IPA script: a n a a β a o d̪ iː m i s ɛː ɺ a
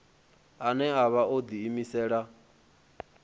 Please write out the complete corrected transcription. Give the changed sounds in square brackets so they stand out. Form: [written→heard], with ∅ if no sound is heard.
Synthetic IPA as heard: a n [a→ɛ] a β a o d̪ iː m i s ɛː ɺ a